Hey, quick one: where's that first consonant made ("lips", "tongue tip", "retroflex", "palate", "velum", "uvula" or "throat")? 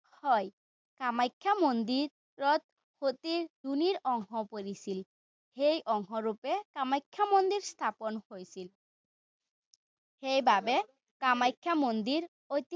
throat